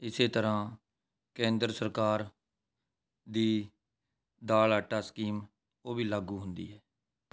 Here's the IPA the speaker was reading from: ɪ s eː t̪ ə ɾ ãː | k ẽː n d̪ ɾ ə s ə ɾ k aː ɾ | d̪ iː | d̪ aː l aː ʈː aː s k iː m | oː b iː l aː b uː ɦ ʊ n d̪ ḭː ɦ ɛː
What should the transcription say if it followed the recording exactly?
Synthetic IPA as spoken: ɪ s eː t̪ ə ɾ ãː | k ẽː n d̪ ɾ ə s ə ɾ k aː ɾ | d̪ iː | d̪ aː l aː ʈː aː s k iː m | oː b iː l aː ɡ uː ɦ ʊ n d̪ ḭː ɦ ɛː